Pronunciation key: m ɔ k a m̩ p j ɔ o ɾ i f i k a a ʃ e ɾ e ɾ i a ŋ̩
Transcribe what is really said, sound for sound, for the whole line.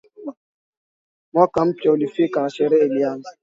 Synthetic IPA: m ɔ k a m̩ p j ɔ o l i f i k a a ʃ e ɾ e l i a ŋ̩